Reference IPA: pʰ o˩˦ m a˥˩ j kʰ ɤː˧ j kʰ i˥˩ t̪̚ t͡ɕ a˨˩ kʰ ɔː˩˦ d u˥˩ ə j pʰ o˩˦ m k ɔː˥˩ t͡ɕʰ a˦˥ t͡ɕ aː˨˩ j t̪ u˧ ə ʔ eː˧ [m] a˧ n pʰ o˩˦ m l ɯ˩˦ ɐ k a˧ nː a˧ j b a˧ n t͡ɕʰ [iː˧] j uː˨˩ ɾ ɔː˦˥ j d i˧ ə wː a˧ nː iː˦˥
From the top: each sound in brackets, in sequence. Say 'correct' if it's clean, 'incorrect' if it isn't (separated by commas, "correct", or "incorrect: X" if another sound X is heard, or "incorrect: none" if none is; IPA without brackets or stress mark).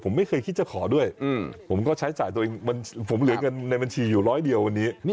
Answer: incorrect: ŋ, correct